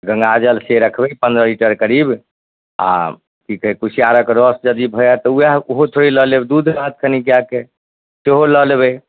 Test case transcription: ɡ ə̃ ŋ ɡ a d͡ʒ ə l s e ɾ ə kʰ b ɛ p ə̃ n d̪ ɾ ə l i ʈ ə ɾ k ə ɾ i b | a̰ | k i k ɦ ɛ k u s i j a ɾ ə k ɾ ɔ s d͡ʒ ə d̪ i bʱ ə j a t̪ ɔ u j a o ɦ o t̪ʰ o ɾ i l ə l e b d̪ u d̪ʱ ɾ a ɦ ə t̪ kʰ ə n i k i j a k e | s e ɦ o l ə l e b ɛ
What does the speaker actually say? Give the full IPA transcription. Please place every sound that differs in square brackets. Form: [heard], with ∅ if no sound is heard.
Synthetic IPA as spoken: ɡ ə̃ ŋ ɡ a d͡ʒ ə l s e ɾ ə kʰ b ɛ p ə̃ n d̪ ɾ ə l i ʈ ə ɾ k ə ɾ i b | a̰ | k i k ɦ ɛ k u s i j a ɾ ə k ɾ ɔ s d͡ʒ ə d̪ i bʱ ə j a t̪ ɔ u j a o ɦ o t̪ʰ o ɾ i l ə l e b d̪ u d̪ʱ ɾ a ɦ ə t̪ kʰ ə n i k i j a k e | s e ɦ o l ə l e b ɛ